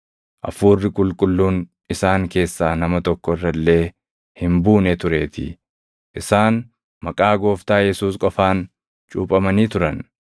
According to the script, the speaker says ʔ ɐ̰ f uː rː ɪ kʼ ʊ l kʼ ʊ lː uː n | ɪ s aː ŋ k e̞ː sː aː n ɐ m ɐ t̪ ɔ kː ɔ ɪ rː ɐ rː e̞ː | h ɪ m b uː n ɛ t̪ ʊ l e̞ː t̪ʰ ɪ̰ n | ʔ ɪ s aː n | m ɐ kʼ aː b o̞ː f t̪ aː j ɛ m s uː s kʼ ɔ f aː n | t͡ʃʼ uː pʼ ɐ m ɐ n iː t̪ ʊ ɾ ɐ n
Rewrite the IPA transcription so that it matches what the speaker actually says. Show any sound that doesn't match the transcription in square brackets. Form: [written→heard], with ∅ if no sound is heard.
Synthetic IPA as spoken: ʔ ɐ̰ f uː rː ɪ kʼ ʊ l kʼ ʊ lː uː n | ɪ s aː ŋ k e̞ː sː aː n ɐ m ɐ t̪ ɔ kː ɔ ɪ rː ɐ [rː→lː] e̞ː | h ɪ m b uː n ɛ t̪ ʊ [l→ɾ] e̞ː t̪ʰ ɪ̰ [n→∅] | ʔ ɪ s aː n | m ɐ kʼ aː [b→ɡ] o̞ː f t̪ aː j ɛ [m→∅] s uː s kʼ ɔ f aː n | t͡ʃʼ uː pʼ ɐ m ɐ n iː t̪ ʊ ɾ ɐ n

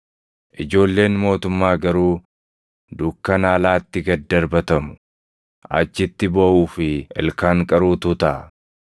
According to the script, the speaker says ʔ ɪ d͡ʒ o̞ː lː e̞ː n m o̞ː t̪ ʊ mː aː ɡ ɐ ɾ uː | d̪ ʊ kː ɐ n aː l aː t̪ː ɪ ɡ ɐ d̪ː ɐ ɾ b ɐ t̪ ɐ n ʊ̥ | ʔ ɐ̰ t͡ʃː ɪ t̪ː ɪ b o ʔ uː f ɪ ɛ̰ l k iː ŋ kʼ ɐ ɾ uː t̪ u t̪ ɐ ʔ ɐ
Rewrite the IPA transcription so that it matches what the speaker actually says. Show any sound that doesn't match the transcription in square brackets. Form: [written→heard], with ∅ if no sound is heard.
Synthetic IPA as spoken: ʔ ɪ d͡ʒ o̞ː lː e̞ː n m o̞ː t̪ ʊ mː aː ɡ ɐ ɾ uː | d̪ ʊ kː ɐ n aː l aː t̪ː ɪ ɡ ɐ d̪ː ɐ ɾ b ɐ t̪ ɐ [n→m] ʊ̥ | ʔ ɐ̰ t͡ʃː ɪ t̪ː ɪ b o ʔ uː f ɪ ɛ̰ l k [iː→aː] ŋ kʼ ɐ ɾ uː t̪ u t̪ ɐ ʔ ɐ

